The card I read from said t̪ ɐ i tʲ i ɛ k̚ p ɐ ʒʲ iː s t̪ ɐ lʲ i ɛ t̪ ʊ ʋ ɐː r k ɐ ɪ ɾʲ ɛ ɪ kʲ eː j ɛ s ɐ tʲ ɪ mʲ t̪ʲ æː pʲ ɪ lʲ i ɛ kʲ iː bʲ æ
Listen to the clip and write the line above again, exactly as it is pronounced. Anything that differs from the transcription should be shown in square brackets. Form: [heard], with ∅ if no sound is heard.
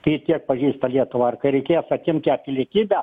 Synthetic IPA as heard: t̪ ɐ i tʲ i ɛ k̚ p ɐ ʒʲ iː s t̪ ɐ lʲ i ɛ t̪ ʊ ʋ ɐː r k ɐ ɪ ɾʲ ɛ ɪ kʲ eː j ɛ s ɐ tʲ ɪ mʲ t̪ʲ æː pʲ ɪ lʲ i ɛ kʲ iː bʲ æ